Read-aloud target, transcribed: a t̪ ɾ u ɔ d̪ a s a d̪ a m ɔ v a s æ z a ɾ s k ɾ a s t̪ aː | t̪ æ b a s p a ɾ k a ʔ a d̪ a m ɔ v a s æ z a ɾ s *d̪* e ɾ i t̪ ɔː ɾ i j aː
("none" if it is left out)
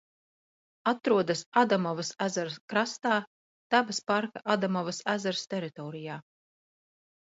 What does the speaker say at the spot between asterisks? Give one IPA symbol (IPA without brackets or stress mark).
t̪